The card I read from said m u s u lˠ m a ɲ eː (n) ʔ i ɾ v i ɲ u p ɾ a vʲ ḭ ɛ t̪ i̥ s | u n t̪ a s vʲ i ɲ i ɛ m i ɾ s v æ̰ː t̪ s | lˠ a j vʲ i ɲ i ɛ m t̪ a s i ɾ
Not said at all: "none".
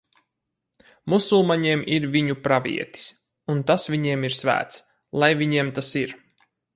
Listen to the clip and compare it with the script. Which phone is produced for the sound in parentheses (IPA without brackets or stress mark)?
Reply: m